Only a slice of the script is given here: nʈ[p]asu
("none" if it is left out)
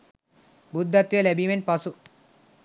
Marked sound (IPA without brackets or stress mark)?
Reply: p